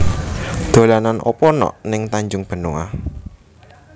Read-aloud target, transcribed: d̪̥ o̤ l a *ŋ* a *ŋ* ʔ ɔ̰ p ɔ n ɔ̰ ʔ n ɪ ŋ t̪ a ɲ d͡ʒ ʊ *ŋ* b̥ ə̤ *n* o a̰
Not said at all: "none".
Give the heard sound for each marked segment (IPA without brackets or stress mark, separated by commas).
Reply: n, n, ŋ, n